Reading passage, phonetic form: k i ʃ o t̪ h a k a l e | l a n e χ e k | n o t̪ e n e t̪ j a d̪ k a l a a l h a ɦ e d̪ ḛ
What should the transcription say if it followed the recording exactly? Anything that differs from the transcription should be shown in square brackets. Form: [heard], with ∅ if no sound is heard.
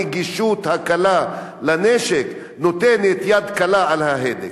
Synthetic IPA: [ɡ] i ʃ [u] t̪ h a k a l [a] | l a n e [ʃ] e k | n o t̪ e n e t̪ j a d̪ k a l a a l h a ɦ e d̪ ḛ